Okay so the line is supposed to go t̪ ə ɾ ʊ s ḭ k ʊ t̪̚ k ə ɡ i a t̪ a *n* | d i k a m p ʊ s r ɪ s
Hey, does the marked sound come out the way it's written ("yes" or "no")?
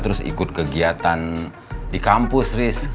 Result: yes